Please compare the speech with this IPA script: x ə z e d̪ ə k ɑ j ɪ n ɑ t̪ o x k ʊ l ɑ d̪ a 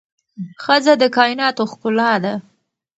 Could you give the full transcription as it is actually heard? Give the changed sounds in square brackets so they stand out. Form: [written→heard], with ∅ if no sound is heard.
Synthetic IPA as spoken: x ə z [e→a] d̪ ə k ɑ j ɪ n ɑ t̪ o x k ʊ l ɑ d̪ a